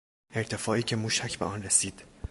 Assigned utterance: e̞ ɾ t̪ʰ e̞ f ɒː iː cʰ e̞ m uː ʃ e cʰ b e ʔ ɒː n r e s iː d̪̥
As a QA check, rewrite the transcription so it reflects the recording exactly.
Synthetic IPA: e̞ ɾ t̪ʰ e̞ f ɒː iː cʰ e̞ m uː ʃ æ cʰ b e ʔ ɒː n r e s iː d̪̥